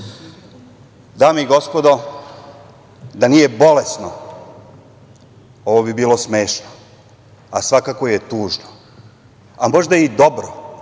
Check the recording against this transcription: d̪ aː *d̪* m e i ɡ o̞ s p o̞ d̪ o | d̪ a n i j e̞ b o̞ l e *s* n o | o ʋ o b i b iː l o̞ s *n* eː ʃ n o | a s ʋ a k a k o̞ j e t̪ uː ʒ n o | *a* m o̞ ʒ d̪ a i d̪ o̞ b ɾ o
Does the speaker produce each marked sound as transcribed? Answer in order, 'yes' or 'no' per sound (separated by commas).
no, yes, no, yes